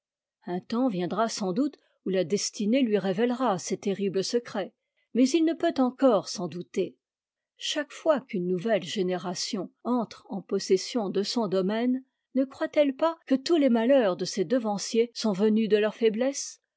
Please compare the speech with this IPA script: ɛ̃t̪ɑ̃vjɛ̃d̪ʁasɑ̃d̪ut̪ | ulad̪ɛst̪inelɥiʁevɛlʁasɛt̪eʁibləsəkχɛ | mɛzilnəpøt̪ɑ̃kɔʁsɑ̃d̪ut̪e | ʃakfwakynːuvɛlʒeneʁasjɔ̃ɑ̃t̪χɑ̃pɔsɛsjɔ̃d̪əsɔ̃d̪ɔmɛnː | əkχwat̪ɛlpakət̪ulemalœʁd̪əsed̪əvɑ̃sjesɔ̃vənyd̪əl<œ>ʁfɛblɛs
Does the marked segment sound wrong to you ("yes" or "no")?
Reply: no